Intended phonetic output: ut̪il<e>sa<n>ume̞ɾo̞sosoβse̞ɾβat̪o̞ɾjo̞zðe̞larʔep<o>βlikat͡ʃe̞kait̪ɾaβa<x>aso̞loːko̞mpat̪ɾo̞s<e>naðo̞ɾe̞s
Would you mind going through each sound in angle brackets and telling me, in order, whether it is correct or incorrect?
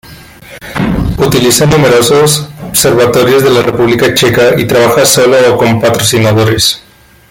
incorrect, correct, incorrect, correct, incorrect

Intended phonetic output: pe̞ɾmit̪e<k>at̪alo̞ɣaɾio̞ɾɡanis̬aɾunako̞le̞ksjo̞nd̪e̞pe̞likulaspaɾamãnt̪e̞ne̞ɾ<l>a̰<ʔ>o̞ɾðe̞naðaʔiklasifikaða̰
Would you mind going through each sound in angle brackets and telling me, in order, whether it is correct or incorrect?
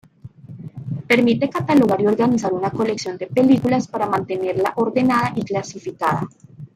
correct, correct, correct

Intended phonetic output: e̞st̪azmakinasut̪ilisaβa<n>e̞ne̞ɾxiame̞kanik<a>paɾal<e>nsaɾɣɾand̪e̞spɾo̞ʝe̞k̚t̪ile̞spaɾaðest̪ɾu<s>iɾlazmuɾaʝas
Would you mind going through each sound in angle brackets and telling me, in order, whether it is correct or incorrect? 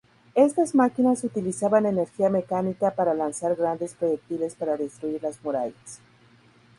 correct, correct, incorrect, incorrect

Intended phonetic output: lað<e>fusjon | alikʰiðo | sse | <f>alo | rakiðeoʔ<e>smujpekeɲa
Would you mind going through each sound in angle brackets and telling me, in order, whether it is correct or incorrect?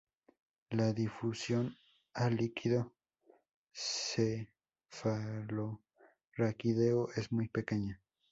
incorrect, correct, correct

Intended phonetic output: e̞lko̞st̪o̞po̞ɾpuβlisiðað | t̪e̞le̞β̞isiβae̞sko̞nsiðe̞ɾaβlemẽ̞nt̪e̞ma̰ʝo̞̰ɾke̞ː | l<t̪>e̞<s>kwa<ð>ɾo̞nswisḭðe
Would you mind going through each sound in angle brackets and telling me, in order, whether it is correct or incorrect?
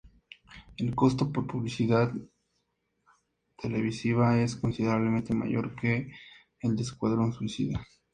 incorrect, correct, correct

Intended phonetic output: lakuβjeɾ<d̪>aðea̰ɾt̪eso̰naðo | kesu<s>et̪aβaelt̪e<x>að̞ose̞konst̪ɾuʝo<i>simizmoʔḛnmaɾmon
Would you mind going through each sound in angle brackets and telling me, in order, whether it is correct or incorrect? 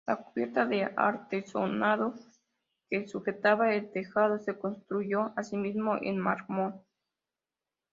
incorrect, incorrect, correct, incorrect

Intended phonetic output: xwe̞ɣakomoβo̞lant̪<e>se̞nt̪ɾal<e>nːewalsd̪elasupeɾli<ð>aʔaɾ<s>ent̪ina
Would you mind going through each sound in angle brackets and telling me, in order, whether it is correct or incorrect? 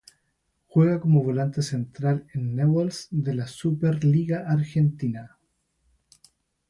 correct, correct, incorrect, incorrect

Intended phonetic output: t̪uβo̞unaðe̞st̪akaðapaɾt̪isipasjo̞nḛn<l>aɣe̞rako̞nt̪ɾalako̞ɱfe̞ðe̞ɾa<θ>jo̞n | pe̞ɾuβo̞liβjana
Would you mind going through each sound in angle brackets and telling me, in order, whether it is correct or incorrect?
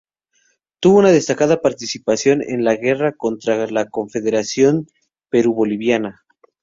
correct, incorrect

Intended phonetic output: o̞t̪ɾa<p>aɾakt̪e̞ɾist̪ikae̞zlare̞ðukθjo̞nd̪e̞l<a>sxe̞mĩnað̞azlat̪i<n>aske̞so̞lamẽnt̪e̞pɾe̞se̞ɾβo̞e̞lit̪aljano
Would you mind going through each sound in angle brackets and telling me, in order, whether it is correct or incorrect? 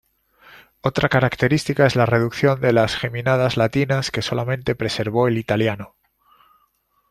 incorrect, correct, correct

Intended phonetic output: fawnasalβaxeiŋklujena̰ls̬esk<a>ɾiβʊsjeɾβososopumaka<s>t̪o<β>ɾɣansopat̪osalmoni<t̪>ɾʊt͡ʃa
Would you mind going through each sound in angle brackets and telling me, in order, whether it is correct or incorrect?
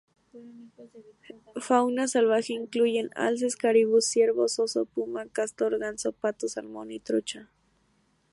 correct, correct, incorrect, correct

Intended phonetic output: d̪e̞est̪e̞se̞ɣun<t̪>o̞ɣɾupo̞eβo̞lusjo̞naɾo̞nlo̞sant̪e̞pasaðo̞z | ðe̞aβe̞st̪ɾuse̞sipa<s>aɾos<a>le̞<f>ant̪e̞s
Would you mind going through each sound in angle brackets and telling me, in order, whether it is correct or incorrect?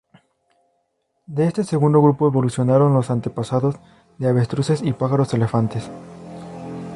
incorrect, incorrect, incorrect, correct

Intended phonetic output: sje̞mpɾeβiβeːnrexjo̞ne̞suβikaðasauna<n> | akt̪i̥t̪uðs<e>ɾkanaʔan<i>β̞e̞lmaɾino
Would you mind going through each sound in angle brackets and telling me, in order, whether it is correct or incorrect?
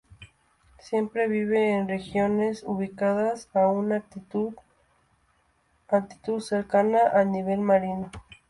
incorrect, correct, correct

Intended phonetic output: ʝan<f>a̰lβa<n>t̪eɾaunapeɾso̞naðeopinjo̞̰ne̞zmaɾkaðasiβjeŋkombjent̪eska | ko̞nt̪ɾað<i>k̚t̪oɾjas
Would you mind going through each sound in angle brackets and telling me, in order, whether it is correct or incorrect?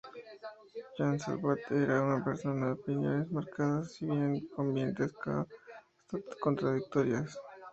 incorrect, incorrect, correct

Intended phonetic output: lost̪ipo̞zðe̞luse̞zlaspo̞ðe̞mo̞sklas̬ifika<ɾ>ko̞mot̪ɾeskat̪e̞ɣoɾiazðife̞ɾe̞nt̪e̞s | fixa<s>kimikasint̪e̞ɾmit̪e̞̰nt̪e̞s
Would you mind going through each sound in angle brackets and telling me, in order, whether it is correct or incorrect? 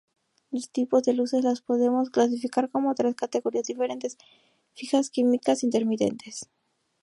correct, correct

